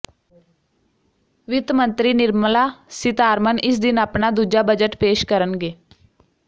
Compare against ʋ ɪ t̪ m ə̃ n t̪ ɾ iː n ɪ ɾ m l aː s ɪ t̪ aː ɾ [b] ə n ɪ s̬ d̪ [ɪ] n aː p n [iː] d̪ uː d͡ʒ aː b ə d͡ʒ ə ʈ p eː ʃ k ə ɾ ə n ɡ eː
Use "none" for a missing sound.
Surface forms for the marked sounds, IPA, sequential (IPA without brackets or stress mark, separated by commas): m, ɪ, aː